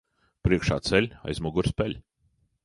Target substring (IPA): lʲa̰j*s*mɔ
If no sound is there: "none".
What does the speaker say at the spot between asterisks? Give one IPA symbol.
z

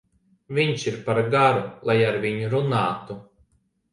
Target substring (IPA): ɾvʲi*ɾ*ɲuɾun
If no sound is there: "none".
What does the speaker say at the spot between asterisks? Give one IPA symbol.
none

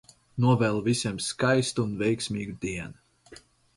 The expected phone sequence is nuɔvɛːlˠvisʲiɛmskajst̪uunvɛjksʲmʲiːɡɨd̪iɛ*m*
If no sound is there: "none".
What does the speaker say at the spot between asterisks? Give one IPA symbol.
n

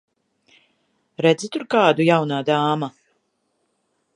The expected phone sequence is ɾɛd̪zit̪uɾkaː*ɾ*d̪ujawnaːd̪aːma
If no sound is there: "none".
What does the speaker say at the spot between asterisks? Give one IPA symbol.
none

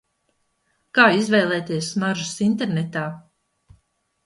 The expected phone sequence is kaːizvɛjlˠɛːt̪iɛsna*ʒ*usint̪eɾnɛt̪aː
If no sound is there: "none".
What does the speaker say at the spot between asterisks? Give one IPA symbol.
ʒ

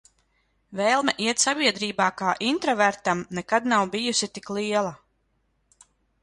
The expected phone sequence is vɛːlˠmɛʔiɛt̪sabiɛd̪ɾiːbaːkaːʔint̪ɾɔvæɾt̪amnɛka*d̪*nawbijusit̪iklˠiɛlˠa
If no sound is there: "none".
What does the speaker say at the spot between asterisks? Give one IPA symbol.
d̪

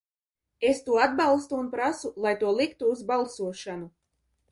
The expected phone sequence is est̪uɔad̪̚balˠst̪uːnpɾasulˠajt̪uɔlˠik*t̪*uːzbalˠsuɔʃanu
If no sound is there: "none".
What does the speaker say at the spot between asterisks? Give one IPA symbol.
t̪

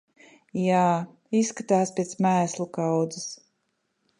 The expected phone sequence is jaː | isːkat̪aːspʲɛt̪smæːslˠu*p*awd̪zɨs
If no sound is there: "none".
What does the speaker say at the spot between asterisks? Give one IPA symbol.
k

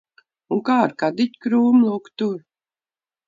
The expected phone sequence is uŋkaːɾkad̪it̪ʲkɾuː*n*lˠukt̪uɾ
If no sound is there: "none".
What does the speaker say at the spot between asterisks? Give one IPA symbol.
m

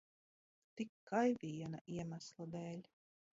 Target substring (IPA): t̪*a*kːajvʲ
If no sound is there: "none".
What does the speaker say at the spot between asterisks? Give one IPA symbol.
i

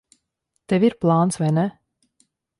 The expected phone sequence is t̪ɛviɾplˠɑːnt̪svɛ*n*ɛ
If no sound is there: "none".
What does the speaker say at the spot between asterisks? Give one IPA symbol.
n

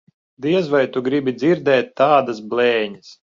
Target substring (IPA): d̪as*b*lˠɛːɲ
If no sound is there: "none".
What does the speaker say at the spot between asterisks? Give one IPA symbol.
b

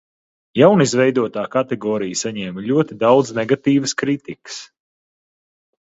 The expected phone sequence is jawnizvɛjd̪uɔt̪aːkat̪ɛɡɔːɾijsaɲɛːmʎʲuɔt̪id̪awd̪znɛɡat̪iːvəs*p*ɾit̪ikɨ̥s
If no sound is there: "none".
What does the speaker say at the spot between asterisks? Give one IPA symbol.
k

